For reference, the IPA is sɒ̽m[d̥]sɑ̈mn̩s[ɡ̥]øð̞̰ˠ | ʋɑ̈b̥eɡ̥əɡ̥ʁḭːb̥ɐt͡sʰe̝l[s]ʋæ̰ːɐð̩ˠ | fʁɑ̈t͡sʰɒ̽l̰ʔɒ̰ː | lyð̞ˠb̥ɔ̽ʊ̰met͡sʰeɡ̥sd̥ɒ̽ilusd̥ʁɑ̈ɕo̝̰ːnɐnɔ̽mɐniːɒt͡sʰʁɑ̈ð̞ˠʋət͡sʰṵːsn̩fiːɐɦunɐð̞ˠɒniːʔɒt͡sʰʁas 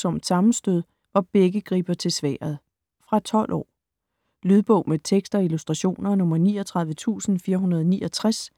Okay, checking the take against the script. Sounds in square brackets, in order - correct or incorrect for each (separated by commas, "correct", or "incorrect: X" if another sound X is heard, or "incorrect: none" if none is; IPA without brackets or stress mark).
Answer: correct, incorrect: d̥, correct